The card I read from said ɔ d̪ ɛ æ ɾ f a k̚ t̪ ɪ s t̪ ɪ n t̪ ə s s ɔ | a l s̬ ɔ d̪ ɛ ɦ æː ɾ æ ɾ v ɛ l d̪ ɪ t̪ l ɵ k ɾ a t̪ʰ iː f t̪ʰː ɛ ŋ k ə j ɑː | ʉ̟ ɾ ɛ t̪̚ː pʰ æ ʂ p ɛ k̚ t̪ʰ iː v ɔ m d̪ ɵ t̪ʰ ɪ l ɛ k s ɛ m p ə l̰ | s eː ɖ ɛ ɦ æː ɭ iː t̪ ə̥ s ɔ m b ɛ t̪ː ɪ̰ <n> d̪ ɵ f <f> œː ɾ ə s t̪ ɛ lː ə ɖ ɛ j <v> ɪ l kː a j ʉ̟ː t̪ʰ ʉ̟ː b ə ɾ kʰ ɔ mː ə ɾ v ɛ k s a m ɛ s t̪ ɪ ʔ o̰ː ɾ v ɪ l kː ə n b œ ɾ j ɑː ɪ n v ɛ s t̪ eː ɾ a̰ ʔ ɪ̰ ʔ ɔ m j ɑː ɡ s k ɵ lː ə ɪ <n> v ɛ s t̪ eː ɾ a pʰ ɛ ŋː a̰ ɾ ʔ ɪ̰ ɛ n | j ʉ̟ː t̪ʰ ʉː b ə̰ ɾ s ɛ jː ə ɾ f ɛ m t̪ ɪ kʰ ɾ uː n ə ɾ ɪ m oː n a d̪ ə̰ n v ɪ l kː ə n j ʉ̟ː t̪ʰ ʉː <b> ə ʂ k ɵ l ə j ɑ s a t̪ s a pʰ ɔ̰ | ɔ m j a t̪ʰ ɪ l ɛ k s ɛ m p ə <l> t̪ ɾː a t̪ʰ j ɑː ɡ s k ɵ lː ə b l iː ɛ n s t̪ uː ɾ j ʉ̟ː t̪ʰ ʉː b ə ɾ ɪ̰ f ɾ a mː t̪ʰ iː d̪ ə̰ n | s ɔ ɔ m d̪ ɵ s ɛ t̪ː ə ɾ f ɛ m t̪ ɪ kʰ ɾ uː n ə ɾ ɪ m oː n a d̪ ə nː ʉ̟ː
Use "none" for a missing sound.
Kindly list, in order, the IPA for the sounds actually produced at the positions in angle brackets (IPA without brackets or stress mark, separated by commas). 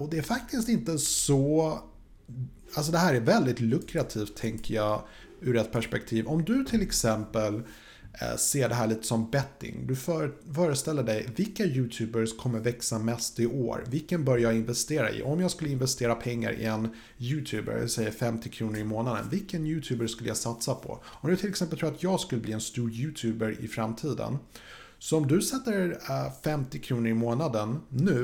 ŋ, f, v, n, b, l